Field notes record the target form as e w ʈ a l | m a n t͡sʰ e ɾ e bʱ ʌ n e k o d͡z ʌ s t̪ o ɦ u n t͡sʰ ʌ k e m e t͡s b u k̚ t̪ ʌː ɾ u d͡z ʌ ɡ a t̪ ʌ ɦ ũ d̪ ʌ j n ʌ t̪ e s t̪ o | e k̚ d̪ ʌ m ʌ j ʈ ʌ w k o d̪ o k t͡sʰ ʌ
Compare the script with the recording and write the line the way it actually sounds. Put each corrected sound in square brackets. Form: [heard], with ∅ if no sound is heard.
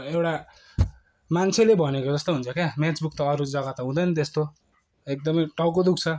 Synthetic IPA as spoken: e w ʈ a [∅] | m a n t͡sʰ e [l] e bʱ ʌ n e k o d͡z ʌ s t̪ o ɦ u n t͡sʰ ʌ k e m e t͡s b u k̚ t̪ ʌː ɾ u d͡z ʌ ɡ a t̪ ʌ ɦ ũ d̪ ʌ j n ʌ t̪ e s t̪ o | e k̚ d̪ ʌ m ʌ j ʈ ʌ w k o d̪ [u] k t͡sʰ ʌ

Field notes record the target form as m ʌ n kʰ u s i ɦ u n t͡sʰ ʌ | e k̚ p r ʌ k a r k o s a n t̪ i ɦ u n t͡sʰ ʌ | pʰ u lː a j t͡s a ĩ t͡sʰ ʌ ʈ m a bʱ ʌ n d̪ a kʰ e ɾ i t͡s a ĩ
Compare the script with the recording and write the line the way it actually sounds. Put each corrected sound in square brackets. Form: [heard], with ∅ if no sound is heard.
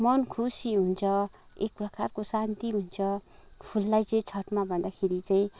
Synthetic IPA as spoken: m ʌ n kʰ u s i ɦ u n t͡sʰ ʌ | e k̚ p r ʌ k a r k o s a n t̪ i ɦ u n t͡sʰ ʌ | pʰ u lː a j t͡s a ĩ t͡sʰ ʌ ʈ m a bʱ ʌ n d̪ a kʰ e ɾ i t͡s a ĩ

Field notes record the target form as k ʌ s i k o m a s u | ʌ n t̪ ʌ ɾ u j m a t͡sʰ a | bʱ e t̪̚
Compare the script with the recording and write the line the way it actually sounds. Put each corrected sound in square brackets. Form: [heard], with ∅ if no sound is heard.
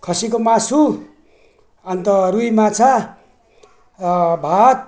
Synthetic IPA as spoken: [kʰ] ʌ s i k o m a s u | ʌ n t̪ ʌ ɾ u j m a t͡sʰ a | bʱ [a] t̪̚

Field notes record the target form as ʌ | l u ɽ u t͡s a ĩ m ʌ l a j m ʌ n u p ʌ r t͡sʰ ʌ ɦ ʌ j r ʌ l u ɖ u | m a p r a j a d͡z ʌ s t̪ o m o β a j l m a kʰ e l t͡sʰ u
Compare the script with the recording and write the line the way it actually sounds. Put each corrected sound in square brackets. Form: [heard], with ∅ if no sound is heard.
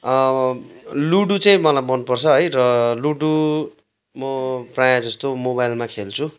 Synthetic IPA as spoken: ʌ | l u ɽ u t͡s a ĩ m ʌ l a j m ʌ n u p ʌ r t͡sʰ ʌ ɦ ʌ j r ʌ l u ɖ u | m [ʌ] p r a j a d͡z ʌ s t̪ o m o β a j l m a kʰ e l t͡sʰ u

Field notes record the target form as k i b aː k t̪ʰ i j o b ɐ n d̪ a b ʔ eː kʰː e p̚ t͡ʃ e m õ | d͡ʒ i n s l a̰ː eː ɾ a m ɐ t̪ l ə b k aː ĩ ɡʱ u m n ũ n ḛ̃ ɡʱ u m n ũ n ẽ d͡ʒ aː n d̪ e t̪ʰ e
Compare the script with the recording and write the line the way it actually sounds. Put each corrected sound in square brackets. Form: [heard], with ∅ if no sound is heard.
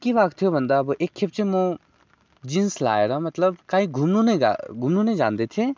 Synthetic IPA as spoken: k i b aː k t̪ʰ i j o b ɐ n d̪ a b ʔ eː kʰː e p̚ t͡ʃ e m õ | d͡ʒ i n s l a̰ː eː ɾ a m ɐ t̪ l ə b k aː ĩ ɡʱ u m n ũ n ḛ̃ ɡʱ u m n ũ n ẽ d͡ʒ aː n d̪ e t̪ʰ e

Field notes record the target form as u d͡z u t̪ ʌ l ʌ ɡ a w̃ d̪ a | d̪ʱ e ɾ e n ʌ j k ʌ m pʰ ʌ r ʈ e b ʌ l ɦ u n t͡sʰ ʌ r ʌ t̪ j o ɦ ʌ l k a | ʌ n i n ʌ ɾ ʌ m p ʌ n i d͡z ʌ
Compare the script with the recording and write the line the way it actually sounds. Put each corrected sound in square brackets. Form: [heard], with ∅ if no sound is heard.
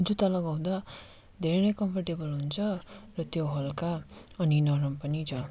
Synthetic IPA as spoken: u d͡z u t̪ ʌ l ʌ ɡ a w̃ d̪ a | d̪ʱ e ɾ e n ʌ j k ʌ m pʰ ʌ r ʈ e b ʌ l ɦ u n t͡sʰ ʌ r ʌ t̪ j o ɦ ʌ l k a | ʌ n i n ʌ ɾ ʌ m p ʌ n i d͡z ʌ

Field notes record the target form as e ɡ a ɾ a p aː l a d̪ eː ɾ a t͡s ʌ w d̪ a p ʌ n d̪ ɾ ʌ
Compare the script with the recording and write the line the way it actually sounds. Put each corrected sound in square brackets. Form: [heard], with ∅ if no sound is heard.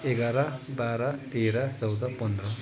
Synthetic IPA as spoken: e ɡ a ɾ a [b] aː [ɾ] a [t̪] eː ɾ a t͡s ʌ w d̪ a p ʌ n d̪ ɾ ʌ

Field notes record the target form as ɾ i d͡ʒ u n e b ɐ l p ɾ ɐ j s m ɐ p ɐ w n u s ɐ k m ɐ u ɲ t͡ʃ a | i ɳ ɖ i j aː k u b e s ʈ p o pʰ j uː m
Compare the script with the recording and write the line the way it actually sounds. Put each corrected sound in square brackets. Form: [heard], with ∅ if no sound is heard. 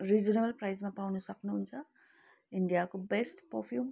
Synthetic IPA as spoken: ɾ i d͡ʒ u n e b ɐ l p ɾ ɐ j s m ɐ p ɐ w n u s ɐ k [n] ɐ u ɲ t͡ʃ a | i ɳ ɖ i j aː k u b e s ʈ p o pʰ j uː m

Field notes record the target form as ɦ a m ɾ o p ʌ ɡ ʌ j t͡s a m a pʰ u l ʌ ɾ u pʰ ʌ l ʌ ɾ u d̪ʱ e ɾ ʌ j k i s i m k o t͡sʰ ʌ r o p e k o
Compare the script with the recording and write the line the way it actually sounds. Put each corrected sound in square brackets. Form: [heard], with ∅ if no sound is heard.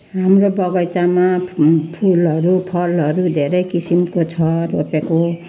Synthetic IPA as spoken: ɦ a m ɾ o [b] ʌ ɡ ʌ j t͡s a m a pʰ u l ʌ ɾ u pʰ ʌ l ʌ ɾ u d̪ʱ e ɾ ʌ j k i s i m k o t͡sʰ ʌ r o p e k o

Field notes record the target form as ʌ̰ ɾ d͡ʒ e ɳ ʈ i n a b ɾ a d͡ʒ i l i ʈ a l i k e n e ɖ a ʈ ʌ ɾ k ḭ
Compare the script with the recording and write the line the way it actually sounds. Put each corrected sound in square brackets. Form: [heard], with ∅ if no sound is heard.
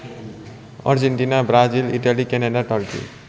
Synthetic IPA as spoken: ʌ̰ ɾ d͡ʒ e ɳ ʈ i n a b ɾ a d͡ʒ i l i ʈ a l i k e n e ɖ a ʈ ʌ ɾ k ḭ

